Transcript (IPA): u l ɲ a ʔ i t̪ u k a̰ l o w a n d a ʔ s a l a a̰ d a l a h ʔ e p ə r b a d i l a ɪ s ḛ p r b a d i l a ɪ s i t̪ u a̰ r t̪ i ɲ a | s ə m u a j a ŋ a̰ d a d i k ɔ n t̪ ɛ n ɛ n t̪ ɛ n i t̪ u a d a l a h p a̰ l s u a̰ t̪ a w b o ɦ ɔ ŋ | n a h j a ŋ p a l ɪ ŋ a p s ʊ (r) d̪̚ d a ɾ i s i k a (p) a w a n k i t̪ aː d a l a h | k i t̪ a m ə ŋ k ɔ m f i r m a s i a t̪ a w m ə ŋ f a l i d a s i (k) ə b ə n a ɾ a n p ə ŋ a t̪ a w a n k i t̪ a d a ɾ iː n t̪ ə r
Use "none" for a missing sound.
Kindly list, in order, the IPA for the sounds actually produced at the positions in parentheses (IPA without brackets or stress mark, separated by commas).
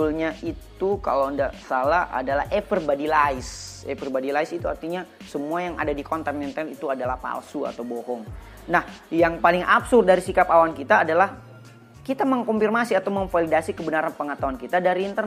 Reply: r, p, k